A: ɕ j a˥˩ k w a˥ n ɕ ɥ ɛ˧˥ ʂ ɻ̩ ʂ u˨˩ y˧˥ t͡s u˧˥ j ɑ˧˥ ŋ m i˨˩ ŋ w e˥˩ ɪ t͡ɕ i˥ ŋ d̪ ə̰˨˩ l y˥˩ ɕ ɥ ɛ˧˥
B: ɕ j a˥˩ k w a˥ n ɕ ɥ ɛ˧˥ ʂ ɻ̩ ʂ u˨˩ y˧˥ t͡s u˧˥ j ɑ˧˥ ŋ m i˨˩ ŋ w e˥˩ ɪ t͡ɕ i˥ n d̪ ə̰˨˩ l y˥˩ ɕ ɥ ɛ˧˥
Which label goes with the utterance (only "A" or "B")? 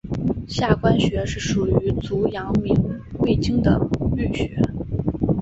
A